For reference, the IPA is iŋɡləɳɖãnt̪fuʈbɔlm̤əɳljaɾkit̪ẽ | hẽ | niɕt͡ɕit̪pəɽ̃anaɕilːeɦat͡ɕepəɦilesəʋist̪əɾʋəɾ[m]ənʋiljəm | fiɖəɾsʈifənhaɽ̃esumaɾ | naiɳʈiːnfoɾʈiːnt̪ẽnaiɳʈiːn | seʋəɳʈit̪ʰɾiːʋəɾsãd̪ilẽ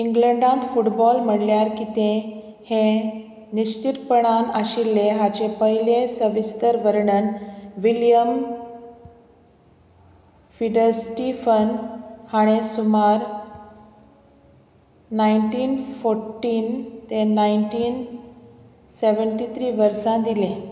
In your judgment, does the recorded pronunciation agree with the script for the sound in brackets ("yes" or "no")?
no